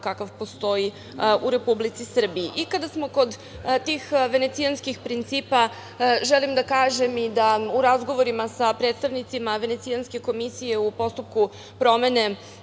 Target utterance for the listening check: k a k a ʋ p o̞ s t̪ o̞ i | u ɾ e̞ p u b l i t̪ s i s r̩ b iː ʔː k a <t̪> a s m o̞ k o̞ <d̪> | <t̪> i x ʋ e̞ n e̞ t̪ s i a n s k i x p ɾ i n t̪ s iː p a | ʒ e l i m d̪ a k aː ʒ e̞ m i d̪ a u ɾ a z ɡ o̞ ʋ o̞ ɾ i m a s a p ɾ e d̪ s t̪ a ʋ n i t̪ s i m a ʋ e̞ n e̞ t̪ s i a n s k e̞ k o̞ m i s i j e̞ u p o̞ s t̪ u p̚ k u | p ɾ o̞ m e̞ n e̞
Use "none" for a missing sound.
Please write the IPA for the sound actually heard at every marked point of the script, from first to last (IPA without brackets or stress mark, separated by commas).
d̪, d̪, t̪